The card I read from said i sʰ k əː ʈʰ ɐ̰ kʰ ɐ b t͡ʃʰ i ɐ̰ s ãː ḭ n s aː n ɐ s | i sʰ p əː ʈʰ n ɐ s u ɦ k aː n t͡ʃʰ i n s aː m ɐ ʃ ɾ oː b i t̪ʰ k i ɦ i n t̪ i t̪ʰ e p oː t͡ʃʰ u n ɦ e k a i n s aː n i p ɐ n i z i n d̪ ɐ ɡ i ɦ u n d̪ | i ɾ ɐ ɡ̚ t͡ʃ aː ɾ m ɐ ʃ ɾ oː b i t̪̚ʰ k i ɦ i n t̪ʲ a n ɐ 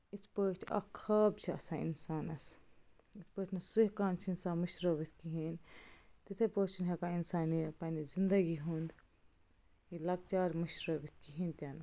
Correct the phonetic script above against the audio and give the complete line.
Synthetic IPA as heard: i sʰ p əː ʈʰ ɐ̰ kʰ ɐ b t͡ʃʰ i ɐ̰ s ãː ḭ n s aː n ɐ s | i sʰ p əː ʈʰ n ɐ s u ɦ k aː n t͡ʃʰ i n s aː m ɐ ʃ ɾ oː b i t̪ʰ k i ɦ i n t̪ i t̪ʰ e p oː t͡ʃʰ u n ɦ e k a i n s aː n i p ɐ n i z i n d̪ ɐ ɡ i ɦ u n d̪ | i l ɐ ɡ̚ t͡ʃ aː ɾ m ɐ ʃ ɾ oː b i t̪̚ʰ k i ɦ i n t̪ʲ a n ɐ